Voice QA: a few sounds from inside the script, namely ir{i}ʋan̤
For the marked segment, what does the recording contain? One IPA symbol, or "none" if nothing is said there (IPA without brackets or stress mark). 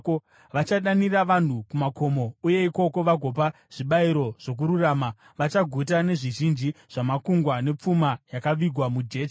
a